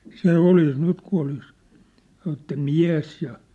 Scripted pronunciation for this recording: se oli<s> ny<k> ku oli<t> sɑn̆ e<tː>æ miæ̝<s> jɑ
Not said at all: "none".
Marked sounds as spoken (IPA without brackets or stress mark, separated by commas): s, t, s, tː, s